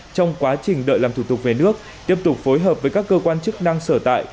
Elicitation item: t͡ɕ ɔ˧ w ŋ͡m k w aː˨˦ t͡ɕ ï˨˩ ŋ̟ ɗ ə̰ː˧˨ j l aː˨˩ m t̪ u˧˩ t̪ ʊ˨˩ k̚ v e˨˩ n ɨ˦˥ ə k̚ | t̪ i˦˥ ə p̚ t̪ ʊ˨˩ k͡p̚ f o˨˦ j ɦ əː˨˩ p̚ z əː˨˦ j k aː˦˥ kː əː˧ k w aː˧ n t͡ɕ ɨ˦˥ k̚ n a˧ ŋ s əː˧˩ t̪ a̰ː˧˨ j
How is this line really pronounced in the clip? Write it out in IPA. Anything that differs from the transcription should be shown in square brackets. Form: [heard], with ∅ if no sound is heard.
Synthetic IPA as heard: t͡ɕ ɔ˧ w ŋ͡m k w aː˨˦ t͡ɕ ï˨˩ ŋ̟ ɗ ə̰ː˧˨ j l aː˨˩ m t̪ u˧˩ t̪ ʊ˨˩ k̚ v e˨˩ n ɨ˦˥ ə k̚ | t̪ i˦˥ ə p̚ t̪ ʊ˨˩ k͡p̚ f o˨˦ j ɦ əː˨˩ p̚ [v] əː˨˦ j k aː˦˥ kː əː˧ k w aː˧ n t͡ɕ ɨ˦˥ k̚ n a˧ ŋ s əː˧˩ t̪ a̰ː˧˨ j